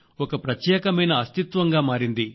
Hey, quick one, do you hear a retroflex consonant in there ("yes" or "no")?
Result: no